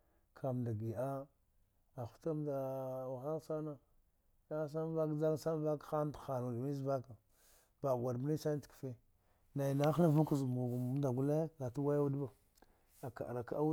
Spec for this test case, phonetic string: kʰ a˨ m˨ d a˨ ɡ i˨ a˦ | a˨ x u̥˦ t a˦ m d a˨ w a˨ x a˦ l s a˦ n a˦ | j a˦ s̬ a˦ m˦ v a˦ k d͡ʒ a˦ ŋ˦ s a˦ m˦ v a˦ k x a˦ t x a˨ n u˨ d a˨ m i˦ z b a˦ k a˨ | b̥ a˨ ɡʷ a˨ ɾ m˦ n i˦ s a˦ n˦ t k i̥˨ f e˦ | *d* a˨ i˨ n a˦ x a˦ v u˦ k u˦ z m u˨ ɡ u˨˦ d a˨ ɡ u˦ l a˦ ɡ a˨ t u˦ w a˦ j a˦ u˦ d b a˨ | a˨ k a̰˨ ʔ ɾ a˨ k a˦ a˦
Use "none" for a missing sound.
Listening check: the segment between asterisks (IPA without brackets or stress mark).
n